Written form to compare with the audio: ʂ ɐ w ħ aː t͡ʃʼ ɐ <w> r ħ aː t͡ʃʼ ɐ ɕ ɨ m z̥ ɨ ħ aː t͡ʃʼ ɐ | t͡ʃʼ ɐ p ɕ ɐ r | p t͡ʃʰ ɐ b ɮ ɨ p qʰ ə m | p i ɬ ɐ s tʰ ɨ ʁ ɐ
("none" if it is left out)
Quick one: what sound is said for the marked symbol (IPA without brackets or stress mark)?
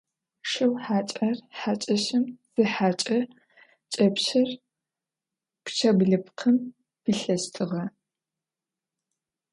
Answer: none